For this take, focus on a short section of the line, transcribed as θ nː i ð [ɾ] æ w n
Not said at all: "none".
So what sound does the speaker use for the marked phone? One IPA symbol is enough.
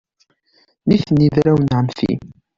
ɾ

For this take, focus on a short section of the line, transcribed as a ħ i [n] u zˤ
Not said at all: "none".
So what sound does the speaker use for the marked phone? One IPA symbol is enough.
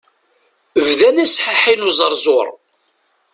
n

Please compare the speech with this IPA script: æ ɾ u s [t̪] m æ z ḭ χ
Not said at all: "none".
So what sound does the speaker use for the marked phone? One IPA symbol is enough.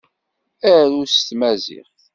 t̪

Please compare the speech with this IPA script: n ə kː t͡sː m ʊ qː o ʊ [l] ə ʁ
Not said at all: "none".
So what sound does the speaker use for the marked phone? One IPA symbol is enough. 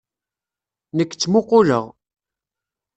l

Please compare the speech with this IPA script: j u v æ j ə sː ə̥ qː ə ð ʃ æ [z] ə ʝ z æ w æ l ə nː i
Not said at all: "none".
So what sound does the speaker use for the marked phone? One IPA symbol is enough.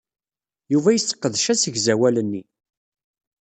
s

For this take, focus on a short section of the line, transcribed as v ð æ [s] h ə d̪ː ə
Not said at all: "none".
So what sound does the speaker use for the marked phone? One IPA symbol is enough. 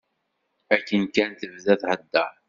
θ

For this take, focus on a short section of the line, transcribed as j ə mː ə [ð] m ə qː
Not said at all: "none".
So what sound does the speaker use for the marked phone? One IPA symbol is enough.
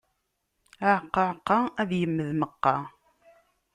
ð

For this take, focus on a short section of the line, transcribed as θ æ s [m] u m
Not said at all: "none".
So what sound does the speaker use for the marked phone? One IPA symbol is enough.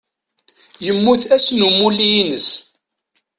n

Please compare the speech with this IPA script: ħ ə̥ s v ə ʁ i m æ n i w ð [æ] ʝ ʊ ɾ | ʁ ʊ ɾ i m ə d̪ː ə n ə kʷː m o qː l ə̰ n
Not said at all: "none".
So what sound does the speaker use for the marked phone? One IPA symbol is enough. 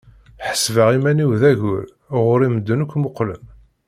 æ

